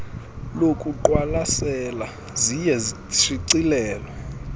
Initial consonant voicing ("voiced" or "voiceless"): voiced